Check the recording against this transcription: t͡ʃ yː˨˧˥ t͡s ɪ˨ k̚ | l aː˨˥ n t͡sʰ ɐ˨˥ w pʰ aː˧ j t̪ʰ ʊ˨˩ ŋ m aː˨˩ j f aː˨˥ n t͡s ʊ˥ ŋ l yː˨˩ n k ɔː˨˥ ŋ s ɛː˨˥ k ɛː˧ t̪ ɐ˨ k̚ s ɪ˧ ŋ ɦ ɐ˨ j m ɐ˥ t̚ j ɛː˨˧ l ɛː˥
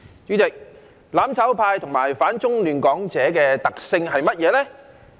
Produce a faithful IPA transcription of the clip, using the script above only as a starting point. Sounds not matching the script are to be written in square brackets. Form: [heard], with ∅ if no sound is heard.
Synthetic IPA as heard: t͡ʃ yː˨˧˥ t͡s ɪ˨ k̚ | l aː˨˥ [m] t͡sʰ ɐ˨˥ w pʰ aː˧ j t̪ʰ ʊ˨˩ ŋ m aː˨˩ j f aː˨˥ n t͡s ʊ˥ ŋ l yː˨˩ n k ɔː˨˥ ŋ [t͡s] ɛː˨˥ k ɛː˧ t̪ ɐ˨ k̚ s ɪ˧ ŋ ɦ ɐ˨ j m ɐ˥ t̚ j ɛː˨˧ l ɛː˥